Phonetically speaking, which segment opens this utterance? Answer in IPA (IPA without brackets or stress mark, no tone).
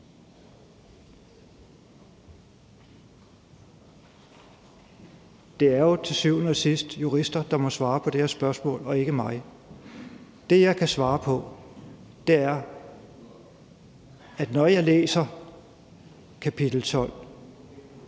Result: d̥